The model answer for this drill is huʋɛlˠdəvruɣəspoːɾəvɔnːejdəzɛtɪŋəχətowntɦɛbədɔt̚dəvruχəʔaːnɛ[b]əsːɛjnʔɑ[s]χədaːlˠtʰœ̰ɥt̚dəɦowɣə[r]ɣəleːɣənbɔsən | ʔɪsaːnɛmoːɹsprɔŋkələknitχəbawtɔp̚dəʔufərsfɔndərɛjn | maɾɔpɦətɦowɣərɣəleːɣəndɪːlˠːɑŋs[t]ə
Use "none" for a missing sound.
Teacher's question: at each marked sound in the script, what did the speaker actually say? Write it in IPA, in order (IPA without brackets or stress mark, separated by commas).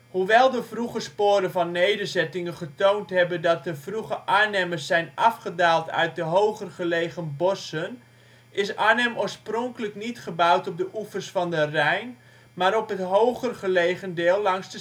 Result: m, f, r, d